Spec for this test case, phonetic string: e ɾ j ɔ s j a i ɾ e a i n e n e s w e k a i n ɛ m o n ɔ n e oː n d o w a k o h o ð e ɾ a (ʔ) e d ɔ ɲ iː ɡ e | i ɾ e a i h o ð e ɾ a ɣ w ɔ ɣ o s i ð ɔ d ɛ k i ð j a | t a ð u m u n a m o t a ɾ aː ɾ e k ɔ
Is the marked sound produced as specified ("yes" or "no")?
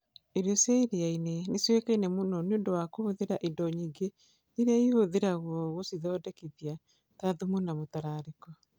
yes